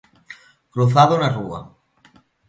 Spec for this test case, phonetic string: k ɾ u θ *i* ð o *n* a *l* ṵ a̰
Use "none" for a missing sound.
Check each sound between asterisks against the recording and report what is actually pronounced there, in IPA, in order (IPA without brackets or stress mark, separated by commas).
a, n, r